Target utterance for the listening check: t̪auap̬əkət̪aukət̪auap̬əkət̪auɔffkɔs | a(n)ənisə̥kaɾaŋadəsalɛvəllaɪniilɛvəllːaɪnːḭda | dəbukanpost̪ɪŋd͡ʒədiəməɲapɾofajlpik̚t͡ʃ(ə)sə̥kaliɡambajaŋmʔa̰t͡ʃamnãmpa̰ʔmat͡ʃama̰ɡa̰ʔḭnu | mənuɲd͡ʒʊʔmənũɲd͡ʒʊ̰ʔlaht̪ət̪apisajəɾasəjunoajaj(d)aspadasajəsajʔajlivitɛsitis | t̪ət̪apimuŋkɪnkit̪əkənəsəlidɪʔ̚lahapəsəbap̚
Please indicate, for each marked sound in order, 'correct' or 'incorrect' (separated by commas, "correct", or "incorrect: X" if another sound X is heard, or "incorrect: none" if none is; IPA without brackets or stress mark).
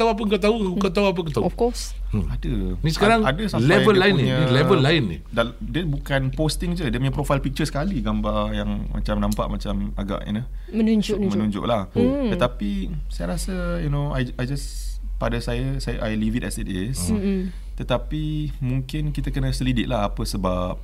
incorrect: d, correct, incorrect: d͡ʒ